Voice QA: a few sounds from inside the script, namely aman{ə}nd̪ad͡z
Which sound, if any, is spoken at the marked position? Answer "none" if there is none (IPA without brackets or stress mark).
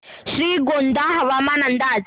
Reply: a